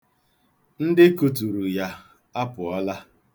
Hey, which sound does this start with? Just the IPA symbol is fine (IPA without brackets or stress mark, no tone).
n̩